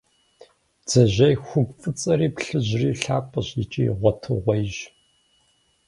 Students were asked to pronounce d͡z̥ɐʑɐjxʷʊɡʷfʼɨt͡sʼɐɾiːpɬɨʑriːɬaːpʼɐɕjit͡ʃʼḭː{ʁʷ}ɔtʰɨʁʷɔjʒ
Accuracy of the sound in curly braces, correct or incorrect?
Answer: correct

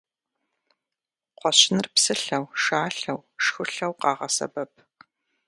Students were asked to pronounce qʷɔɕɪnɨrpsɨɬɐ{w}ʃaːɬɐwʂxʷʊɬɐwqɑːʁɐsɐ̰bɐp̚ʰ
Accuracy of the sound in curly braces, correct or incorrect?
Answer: correct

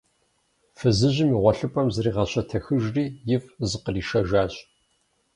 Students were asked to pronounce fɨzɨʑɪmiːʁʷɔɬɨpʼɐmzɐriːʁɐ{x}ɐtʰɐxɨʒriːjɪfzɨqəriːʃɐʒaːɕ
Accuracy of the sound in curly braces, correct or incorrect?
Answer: incorrect: ɕ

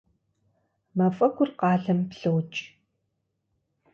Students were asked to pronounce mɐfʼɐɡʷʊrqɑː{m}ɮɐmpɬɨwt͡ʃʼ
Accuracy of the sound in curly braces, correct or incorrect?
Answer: incorrect: none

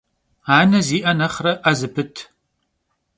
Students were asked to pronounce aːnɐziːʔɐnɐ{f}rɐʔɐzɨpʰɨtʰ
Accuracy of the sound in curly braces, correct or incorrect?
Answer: incorrect: χ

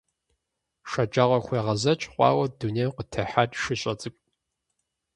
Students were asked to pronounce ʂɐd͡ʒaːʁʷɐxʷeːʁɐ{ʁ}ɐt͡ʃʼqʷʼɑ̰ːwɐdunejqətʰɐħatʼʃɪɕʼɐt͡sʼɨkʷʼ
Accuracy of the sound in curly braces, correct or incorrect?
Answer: incorrect: z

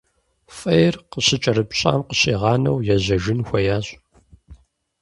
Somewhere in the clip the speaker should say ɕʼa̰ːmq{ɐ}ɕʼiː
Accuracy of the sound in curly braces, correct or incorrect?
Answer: incorrect: ə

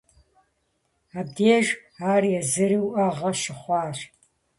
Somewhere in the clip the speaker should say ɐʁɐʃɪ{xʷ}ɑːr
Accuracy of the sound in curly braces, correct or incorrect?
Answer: incorrect: χʷ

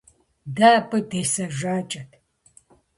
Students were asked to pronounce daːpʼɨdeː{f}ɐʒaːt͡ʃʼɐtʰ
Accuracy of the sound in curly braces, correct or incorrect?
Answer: incorrect: s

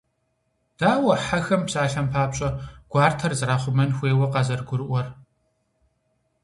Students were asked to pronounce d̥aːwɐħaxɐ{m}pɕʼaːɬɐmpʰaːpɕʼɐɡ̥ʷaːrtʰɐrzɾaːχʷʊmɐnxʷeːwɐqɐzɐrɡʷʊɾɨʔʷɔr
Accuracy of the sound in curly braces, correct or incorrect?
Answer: correct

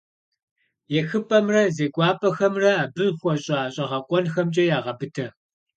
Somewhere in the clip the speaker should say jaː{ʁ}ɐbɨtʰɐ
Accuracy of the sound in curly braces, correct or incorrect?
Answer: correct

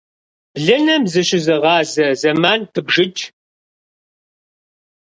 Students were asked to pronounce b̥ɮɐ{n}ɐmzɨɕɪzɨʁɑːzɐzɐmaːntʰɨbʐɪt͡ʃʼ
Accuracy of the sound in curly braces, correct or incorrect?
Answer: correct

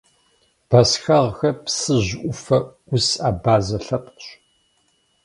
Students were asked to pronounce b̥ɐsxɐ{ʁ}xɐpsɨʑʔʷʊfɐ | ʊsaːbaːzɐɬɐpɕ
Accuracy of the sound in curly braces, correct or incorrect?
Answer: correct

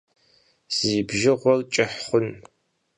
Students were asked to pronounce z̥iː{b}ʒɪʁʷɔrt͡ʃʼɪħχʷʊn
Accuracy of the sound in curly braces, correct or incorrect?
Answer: correct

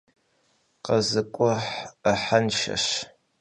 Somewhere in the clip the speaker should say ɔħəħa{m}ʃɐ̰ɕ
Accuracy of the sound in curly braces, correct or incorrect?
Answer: incorrect: n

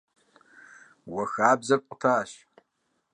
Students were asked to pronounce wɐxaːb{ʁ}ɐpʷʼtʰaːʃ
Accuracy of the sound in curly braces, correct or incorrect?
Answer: incorrect: z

